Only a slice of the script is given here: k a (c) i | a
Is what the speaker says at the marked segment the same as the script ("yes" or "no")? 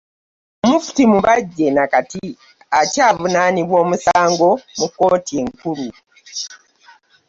no